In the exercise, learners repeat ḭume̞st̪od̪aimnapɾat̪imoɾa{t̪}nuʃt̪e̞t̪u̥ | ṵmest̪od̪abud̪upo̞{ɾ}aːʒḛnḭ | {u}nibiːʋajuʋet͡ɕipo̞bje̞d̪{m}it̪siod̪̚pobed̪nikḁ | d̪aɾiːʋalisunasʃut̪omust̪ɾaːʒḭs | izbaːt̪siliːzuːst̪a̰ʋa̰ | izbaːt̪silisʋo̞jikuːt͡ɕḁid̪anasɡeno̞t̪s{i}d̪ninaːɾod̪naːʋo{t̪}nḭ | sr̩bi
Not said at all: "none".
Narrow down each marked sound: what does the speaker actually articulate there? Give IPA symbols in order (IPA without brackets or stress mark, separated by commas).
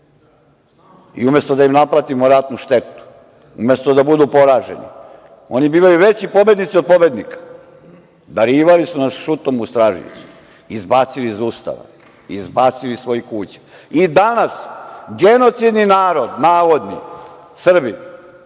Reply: t̪, ɾ, o, n, i, d̪